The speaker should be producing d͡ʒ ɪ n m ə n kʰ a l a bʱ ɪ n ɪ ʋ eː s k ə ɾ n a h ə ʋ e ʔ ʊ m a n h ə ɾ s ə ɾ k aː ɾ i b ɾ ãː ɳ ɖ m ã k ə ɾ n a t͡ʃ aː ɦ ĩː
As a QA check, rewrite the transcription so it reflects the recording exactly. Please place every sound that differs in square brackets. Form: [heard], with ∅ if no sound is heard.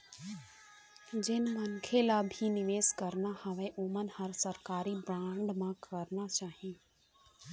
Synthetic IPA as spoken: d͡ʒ ɪ n m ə n kʰ [e] l a bʱ [i] n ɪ ʋ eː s k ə ɾ n a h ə ʋ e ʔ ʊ m [ə] n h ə ɾ s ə ɾ k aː ɾ i b ɾ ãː ɳ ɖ m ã k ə ɾ n a t͡ʃ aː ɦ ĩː